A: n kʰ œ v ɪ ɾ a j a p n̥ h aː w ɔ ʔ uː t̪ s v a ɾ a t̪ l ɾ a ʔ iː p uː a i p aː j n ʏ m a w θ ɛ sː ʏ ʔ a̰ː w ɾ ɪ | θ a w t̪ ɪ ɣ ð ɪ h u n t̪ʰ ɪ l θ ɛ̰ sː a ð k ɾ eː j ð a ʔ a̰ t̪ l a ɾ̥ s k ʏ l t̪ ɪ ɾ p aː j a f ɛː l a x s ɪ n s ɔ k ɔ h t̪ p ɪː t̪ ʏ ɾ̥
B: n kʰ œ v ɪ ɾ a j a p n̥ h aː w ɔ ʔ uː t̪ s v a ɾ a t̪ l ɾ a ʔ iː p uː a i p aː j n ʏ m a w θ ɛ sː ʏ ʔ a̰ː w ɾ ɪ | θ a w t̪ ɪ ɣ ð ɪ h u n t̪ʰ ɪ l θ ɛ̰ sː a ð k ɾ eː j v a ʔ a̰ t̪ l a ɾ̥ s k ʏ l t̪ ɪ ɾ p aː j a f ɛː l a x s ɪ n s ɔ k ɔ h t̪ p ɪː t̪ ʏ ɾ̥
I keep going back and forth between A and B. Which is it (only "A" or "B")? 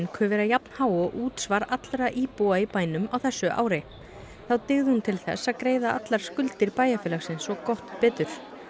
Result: A